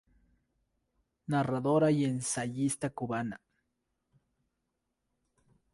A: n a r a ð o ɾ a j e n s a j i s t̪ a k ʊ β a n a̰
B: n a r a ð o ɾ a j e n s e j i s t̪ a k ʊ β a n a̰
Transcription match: A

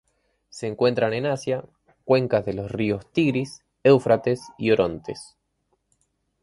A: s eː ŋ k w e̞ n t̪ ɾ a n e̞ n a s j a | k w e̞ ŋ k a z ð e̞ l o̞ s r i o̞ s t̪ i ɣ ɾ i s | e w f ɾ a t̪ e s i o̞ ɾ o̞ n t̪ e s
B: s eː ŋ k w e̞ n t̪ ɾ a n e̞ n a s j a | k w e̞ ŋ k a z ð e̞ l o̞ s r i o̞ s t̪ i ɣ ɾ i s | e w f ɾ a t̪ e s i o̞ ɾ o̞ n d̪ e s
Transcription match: A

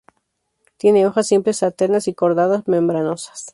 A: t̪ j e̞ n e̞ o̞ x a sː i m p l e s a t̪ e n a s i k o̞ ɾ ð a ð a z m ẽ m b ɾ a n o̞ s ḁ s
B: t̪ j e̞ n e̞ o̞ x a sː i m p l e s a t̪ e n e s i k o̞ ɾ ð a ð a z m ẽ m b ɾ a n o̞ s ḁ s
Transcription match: A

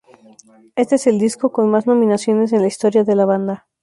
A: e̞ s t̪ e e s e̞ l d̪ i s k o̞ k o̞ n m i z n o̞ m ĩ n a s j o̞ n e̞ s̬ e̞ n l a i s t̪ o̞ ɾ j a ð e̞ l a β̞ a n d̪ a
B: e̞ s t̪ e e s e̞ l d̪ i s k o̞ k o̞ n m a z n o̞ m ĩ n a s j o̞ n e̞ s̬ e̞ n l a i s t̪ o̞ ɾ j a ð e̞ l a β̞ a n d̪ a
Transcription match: B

